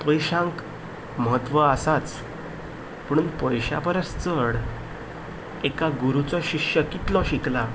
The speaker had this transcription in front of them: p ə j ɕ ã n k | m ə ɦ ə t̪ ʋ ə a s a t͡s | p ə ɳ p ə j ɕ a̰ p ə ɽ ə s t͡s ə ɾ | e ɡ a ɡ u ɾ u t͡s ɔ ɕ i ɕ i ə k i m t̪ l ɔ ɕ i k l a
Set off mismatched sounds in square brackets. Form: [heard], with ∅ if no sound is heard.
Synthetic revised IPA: p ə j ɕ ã [ŋ] k | m ə ɦ ə t̪ ʋ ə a s a t͡s | p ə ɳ p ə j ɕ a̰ p ə [ɾ] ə s t͡s ə [ɽ] | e [k] a ɡ u ɾ u t͡s ɔ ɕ i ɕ [j] ə k i [∅] t̪ l ɔ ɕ i k l a